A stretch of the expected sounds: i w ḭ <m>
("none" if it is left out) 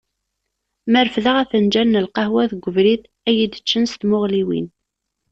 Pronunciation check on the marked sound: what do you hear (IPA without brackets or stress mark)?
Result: n